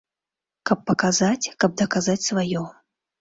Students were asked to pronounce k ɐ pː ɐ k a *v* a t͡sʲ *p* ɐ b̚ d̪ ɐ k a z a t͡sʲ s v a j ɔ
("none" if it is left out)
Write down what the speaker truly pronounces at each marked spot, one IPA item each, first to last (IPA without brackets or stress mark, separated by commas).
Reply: z, k